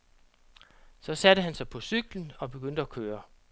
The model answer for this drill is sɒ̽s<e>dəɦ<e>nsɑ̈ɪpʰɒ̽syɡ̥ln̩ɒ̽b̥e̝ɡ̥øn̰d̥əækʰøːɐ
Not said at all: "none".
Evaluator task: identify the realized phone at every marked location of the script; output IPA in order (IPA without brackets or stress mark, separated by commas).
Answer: æ, æ